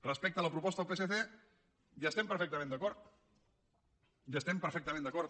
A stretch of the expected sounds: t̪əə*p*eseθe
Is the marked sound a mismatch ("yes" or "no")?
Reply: no